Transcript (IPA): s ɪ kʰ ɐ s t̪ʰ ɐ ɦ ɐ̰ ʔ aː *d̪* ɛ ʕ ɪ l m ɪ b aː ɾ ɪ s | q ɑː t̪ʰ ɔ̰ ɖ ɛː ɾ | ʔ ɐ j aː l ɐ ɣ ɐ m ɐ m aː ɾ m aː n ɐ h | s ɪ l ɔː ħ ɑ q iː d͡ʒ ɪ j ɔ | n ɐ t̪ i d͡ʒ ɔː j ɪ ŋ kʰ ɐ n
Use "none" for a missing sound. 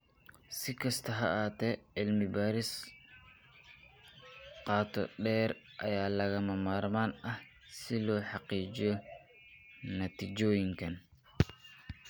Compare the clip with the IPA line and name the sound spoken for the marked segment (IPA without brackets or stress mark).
t̪